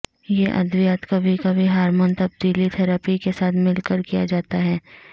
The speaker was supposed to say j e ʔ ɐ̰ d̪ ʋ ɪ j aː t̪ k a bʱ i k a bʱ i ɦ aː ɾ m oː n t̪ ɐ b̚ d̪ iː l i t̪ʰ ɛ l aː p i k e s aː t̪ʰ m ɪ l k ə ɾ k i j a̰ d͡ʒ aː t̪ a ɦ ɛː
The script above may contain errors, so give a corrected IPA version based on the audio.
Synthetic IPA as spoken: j e ʔ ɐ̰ d̪ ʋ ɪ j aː t̪ k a bʱ i k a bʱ i ɦ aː ɾ m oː n t̪ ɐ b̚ d̪ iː l i t̪ʰ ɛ ɾ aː p i k e s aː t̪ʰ m ɪ l k ə ɾ k i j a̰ d͡ʒ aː t̪ a ɦ ɛː